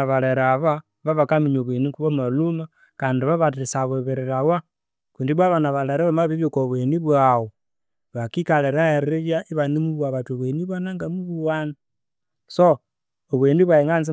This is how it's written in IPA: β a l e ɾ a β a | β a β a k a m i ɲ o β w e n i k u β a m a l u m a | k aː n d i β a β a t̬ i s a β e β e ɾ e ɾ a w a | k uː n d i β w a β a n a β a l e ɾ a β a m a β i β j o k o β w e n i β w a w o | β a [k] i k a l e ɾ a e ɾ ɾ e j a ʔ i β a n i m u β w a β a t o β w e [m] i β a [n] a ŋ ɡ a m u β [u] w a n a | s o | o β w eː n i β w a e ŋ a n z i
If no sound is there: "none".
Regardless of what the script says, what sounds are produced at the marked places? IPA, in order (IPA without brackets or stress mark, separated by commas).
k, n, n, u